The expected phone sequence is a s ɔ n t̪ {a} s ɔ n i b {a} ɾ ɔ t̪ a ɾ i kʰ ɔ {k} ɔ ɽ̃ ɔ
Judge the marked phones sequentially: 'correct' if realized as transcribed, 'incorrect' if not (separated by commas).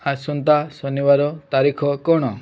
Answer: correct, correct, correct